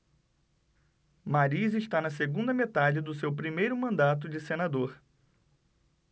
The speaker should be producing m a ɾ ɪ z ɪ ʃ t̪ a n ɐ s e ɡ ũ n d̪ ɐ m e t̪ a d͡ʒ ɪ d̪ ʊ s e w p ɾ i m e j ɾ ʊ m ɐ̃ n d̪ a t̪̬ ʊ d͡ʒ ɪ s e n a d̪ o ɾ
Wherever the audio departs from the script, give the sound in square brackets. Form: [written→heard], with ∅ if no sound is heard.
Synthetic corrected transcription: m a ɾ [ɪ→i] z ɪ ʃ t̪ a n ɐ s e ɡ ũ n d̪ ɐ m e t̪ a d͡ʒ ɪ d̪ ʊ s e w p ɾ i m e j ɾ ʊ m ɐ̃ n d̪ a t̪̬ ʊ d͡ʒ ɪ s e n a d̪ o ɾ